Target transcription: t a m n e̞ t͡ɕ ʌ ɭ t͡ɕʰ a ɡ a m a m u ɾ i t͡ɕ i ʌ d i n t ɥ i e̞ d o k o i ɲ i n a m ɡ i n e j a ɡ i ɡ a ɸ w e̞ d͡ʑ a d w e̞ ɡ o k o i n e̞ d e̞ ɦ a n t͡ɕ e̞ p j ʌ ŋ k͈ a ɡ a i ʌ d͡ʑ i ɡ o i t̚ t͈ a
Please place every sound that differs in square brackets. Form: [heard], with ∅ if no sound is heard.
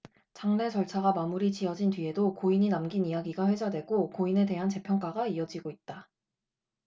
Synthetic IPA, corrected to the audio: [t͡ɕ] a [ŋ] n e̞ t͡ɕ ʌ ɭ t͡ɕʰ a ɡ a m a m u ɾ i t͡ɕ i ʌ [d͡ʑ] i n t ɥ i e̞ d o k o i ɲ i n a m ɡ i n [i] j a ɡ i ɡ a ɸ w e̞ d͡ʑ a d w e̞ ɡ o k o i n e̞ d e̞ ɦ a n t͡ɕ e̞ [pʰ] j ʌ ŋ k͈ a ɡ a i ʌ d͡ʑ i ɡ o i t̚ t͈ a

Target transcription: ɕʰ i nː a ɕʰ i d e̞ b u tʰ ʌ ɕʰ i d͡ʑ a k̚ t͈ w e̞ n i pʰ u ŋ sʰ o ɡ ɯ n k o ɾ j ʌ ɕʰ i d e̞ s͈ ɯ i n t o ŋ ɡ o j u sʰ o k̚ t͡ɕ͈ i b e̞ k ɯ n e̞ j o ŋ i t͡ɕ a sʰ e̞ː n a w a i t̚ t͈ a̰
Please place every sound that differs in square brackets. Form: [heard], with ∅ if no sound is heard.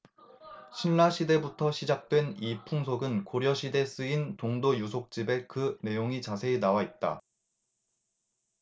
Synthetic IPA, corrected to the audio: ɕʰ i nː a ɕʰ i d e̞ b u tʰ ʌ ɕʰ i d͡ʑ a k̚ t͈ w e̞ n i pʰ u ŋ sʰ o ɡ ɯ n k o ɾ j ʌ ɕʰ i d e̞ s͈ ɯ i n t o ŋ [d] o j u sʰ o k̚ t͡ɕ͈ i b e̞ k ɯ n e̞ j o ŋ i t͡ɕ a sʰ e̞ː n a w a i t̚ t͈ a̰

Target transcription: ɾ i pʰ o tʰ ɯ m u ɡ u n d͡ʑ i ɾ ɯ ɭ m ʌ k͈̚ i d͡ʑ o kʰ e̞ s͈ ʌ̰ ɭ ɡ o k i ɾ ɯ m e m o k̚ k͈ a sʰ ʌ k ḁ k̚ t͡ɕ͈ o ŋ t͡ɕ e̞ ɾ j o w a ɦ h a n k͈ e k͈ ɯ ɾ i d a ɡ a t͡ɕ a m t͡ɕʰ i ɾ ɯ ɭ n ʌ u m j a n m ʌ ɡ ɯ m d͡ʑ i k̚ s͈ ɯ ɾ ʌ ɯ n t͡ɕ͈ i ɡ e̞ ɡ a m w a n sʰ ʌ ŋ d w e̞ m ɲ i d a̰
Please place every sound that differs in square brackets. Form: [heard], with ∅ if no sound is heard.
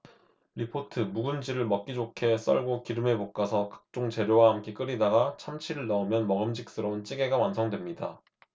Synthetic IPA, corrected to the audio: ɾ i pʰ o tʰ ɯ m u ɡ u n d͡ʑ i ɾ ɯ ɭ m ʌ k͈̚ i d͡ʑ o kʰ e̞ s͈ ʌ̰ ɭ ɡ o k i ɾ ɯ m e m o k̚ k͈ a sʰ ʌ k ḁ k̚ t͡ɕ͈ o ŋ t͡ɕ e̞ ɾ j o w a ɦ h a [m] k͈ e k͈ ɯ ɾ i d a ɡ a [t͡ɕʰ] a m t͡ɕʰ i ɾ ɯ ɭ n ʌ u m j [ʌ] n m ʌ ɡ ɯ m d͡ʑ i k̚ s͈ ɯ ɾ ʌ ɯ n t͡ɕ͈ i ɡ e̞ ɡ a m w a n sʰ ʌ ŋ d w e̞ m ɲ i d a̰

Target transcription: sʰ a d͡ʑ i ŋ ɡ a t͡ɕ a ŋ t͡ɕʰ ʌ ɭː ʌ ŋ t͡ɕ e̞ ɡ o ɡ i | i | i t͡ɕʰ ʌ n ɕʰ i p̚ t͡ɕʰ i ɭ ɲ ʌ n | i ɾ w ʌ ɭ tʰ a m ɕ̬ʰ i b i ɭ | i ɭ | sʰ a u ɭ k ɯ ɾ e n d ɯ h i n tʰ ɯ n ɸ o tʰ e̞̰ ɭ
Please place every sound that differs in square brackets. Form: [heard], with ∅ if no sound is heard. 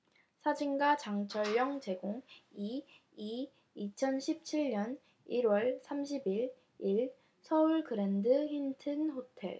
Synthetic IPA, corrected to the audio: sʰ a d͡ʑ i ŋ ɡ a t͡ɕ a ŋ t͡ɕʰ ʌ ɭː ʌ ŋ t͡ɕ e̞ ɡ o [ŋ] i | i | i t͡ɕʰ ʌ n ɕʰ i p̚ t͡ɕʰ i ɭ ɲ ʌ n | i ɾ w ʌ ɭ [sʰ] a m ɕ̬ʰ i b i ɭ | i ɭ | sʰ [ʌ] u ɭ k ɯ ɾ e n d ɯ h i n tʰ ɯ n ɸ o tʰ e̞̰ ɭ

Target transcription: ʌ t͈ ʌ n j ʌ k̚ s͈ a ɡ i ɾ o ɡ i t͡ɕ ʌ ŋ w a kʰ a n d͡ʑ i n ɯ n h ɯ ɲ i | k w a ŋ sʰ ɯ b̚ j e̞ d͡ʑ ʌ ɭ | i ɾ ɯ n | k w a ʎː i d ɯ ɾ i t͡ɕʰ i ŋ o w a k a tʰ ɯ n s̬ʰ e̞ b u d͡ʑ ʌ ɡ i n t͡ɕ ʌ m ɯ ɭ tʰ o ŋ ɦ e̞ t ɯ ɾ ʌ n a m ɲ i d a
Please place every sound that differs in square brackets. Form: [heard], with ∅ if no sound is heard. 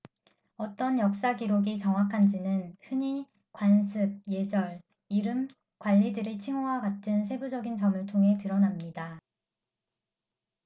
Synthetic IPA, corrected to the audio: ʌ t͈ ʌ n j ʌ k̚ s͈ a ɡ i ɾ o ɡ i t͡ɕ ʌ ŋ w a kʰ a n d͡ʑ i n ɯ n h ɯ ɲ i | k w a [n] sʰ ɯ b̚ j e̞ d͡ʑ ʌ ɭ | i ɾ ɯ [m] | k w a ʎː i d ɯ ɾ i t͡ɕʰ i ŋ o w a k a tʰ ɯ n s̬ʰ e̞ b u d͡ʑ ʌ ɡ i n t͡ɕ ʌ m ɯ ɭ tʰ o ŋ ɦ e̞ t ɯ ɾ ʌ n a m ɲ i d a

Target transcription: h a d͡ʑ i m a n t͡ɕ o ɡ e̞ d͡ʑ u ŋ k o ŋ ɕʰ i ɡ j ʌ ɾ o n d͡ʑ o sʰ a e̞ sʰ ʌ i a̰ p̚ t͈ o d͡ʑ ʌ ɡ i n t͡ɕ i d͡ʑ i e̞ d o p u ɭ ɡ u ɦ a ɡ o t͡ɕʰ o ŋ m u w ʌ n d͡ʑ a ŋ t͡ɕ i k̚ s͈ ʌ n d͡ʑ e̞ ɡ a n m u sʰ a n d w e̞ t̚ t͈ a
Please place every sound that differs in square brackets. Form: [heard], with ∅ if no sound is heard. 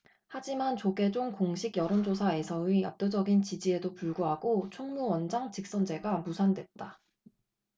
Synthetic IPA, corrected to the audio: h a d͡ʑ i m a n t͡ɕ o ɡ e̞ d͡ʑ [o] ŋ k o ŋ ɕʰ i ɡ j ʌ ɾ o n d͡ʑ o sʰ a e̞ sʰ ʌ i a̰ p̚ t͈ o d͡ʑ ʌ ɡ i n t͡ɕ i d͡ʑ i e̞ d o p u ɭ ɡ u ɦ a ɡ o t͡ɕʰ o ŋ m u w ʌ n d͡ʑ a ŋ t͡ɕ i k̚ s͈ ʌ n d͡ʑ e̞ ɡ a [∅] m u sʰ a n d w e̞ t̚ t͈ a

